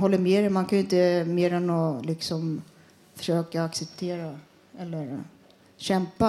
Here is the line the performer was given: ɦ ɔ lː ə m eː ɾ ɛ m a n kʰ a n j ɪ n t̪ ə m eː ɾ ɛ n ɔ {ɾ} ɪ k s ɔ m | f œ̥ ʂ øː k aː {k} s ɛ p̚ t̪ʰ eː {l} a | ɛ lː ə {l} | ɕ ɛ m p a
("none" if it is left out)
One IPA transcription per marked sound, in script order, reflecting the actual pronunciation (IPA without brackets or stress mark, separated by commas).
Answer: l, k, ɾ, ɾ